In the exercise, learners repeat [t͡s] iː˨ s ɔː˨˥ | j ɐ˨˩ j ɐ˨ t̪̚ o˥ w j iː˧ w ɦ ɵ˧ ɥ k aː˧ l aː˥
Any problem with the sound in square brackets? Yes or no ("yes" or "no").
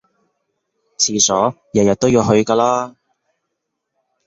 yes